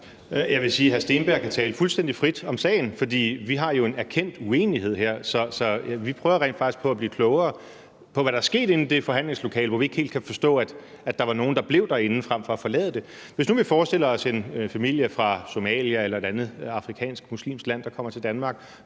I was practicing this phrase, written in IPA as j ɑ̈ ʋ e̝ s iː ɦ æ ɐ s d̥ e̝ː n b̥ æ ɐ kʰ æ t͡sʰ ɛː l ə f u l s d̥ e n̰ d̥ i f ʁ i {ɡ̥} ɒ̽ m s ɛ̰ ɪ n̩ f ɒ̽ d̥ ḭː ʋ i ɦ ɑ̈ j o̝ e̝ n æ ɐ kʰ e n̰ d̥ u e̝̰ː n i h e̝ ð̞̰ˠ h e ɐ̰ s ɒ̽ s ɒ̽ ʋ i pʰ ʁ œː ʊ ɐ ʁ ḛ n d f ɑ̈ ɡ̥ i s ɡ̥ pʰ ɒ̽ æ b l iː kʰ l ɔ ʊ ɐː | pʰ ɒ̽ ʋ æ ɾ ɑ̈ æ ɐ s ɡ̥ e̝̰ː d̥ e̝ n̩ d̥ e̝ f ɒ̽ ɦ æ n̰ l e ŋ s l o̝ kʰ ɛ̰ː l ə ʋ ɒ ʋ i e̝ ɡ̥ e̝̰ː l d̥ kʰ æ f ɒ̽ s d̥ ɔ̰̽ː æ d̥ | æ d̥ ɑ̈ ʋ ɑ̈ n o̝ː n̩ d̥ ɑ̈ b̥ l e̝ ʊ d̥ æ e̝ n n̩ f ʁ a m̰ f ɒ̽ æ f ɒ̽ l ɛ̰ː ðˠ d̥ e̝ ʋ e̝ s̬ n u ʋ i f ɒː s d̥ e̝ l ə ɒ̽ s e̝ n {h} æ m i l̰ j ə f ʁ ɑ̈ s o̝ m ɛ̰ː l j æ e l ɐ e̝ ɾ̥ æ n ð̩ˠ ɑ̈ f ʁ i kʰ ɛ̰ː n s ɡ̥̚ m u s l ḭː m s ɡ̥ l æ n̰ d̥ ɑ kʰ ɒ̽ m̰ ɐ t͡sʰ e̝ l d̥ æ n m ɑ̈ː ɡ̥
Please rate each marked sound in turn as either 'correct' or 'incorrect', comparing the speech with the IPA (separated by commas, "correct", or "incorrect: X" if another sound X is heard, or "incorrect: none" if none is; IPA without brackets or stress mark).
incorrect: d̥, incorrect: f